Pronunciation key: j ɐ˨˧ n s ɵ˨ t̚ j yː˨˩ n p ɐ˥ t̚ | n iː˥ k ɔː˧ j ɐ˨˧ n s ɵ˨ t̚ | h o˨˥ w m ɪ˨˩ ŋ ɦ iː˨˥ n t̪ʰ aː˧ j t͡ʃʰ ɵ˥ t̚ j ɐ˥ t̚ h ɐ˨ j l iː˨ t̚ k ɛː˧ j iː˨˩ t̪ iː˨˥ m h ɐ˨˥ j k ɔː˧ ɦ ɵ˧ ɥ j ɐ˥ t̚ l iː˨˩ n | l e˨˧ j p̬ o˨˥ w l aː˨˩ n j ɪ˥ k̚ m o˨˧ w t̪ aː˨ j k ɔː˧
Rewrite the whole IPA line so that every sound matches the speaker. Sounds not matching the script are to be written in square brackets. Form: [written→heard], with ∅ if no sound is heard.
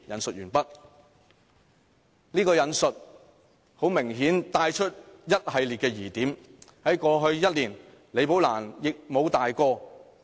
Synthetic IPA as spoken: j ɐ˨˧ n s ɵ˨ t̚ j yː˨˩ n p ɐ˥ t̚ | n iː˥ k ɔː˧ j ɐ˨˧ n s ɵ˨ t̚ | h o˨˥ w m ɪ˨˩ ŋ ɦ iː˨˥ n [t̪ʰ→t̪] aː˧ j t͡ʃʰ ɵ˥ t̚ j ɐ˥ t̚ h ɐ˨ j l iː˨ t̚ k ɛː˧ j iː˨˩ t̪ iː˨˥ m h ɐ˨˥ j k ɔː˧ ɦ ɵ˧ ɥ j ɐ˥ t̚ l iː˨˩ n | l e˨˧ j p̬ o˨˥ w l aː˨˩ n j [ɪ˥→ɪ˨] k̚ m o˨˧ w t̪ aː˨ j k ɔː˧